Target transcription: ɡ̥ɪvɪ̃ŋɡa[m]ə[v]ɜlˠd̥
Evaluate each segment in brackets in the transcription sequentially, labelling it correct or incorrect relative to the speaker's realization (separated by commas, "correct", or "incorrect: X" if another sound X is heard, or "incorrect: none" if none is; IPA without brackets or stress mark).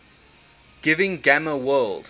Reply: correct, incorrect: w